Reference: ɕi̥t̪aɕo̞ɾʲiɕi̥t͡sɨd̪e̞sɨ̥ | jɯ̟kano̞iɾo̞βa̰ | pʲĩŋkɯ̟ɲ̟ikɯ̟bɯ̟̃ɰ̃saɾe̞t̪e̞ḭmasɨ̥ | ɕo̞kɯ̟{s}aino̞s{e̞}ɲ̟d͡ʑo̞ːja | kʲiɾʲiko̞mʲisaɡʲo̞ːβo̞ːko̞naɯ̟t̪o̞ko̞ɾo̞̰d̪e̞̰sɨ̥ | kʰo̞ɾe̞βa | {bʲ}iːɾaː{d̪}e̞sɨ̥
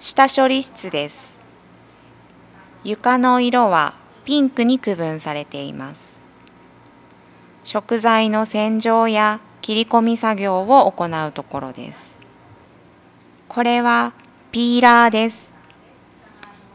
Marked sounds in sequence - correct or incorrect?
incorrect: z, incorrect: ẽ̞, incorrect: pʲ, correct

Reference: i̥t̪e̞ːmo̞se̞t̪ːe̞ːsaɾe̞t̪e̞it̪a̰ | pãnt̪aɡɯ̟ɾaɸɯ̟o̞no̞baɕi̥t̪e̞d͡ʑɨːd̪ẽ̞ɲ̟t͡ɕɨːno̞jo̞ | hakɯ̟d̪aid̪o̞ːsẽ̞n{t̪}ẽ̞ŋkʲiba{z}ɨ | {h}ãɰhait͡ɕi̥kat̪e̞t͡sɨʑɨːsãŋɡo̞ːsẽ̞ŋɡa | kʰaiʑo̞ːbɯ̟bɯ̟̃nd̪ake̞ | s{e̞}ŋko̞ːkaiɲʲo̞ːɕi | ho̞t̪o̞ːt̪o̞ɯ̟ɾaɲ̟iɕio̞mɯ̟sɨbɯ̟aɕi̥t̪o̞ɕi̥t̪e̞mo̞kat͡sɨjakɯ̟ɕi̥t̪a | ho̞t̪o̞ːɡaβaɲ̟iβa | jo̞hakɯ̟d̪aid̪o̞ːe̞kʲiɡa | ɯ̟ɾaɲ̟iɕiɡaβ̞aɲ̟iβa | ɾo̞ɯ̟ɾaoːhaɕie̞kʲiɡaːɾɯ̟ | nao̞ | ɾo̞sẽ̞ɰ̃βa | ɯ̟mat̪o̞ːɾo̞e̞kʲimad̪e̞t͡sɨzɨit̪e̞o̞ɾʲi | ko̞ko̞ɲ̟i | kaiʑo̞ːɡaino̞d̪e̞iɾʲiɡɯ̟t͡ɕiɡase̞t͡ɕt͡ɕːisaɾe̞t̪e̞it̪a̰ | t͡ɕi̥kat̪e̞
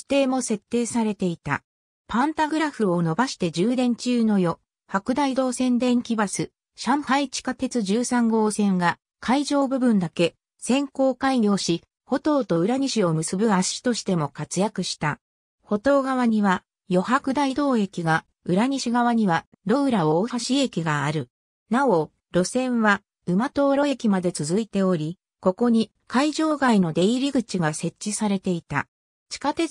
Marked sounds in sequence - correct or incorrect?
incorrect: d̪, incorrect: s, incorrect: ɕ, incorrect: ẽ̞

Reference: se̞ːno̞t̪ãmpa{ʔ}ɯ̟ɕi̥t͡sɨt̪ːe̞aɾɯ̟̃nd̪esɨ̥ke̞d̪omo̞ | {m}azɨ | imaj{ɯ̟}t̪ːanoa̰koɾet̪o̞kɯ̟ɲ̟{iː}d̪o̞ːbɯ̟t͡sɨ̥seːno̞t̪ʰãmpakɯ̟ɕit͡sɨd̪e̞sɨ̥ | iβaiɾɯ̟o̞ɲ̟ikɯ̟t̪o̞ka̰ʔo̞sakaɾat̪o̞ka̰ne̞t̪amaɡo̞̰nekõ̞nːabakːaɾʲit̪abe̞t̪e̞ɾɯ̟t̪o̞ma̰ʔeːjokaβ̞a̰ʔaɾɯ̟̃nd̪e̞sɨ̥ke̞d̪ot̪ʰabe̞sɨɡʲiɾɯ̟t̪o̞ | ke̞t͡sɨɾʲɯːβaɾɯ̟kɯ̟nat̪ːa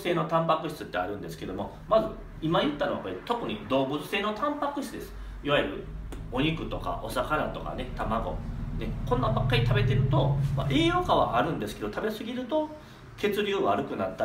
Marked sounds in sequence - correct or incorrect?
incorrect: k, correct, correct, incorrect: i

